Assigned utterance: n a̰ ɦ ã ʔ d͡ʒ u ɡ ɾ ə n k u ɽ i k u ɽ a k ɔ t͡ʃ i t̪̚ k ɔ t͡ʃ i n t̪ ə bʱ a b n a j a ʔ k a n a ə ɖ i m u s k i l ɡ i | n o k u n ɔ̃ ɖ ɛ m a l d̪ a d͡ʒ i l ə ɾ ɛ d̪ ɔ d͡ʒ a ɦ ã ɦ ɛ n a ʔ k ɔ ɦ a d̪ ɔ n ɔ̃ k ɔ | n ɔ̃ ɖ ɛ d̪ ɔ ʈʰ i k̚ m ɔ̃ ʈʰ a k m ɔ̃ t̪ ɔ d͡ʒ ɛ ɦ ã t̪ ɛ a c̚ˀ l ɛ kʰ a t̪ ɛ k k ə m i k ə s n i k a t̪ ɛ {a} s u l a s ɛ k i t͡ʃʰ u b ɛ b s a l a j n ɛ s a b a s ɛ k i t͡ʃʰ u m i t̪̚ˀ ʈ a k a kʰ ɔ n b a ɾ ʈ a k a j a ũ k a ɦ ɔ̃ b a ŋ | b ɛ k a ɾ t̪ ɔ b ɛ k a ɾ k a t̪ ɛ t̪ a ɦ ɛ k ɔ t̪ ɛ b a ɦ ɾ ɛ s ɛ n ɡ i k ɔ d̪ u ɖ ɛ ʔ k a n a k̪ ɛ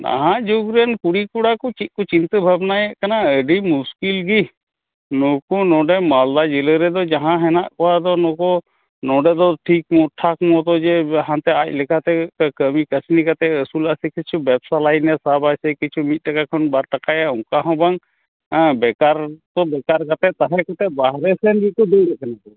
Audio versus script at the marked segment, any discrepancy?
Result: yes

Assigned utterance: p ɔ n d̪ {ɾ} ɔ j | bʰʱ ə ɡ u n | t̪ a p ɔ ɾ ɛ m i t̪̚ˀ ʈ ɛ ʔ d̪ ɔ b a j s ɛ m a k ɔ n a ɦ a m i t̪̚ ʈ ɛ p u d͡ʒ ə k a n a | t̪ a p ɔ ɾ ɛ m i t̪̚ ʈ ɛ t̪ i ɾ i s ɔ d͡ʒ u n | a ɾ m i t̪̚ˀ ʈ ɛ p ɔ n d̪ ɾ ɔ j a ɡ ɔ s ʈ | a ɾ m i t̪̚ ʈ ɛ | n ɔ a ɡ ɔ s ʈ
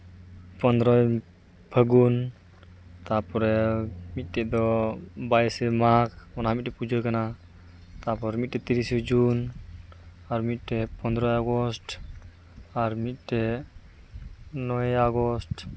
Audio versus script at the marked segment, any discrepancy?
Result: no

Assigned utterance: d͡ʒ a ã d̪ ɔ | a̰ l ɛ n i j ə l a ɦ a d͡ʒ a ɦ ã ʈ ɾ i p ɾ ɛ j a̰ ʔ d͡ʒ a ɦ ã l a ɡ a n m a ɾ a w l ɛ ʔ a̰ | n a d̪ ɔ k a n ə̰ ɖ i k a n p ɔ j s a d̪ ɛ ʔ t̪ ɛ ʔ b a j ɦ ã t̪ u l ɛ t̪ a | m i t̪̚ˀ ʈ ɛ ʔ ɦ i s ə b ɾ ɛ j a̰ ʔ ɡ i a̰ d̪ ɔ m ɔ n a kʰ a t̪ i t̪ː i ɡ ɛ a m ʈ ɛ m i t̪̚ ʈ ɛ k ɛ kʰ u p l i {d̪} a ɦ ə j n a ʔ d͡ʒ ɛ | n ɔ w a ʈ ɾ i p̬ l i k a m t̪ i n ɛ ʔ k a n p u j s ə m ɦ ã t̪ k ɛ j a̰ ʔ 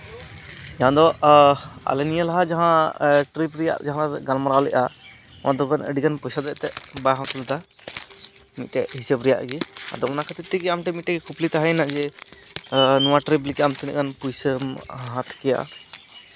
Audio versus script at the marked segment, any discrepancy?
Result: yes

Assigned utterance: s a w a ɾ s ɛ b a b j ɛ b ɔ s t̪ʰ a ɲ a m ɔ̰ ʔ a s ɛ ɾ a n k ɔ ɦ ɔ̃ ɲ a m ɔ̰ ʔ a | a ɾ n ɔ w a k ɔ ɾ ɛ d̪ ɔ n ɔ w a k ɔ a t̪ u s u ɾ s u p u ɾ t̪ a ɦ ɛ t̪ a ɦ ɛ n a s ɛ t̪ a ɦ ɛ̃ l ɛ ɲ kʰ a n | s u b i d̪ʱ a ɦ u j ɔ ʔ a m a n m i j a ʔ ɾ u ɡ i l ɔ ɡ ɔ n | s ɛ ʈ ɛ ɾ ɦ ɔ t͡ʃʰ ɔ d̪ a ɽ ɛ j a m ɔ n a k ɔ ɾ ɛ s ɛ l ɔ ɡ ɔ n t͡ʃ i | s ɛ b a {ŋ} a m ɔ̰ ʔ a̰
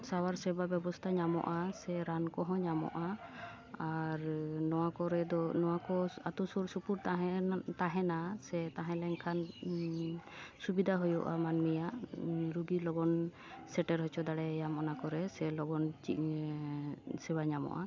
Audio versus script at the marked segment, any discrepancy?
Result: yes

